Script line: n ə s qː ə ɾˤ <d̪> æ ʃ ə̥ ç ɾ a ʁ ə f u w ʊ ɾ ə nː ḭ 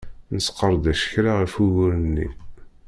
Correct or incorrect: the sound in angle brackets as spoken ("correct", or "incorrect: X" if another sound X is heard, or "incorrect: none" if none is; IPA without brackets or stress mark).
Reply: correct